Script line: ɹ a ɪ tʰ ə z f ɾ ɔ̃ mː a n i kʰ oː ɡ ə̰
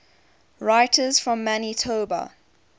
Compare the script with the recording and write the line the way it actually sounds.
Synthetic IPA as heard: ɹ a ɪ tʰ ə z f ɹ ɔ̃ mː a n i tʰ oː b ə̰